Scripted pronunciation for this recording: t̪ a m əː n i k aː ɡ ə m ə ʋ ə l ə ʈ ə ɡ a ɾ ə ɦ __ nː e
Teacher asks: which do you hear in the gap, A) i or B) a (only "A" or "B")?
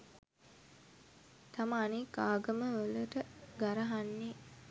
B